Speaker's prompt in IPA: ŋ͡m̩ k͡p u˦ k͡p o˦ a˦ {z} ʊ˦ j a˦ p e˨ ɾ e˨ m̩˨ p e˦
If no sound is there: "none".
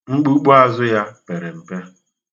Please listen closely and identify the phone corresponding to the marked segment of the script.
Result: z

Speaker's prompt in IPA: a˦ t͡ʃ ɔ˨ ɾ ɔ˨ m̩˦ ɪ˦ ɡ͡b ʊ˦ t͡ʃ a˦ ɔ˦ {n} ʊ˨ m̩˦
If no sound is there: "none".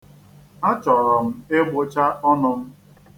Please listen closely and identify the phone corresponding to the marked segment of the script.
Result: n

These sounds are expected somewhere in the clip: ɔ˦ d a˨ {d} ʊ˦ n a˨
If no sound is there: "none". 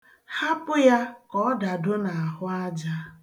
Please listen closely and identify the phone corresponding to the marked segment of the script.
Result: d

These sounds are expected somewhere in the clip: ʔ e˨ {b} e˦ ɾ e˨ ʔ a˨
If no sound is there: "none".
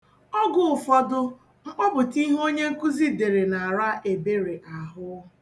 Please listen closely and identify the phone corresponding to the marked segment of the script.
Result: b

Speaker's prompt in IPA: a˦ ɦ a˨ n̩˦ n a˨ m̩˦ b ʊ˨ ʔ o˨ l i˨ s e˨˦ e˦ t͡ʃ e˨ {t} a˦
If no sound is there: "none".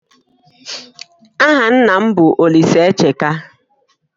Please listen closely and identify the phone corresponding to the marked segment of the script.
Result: k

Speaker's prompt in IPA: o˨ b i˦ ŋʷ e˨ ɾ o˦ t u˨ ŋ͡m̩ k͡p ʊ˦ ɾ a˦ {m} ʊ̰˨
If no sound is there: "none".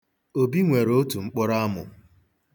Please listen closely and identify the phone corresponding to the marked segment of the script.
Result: m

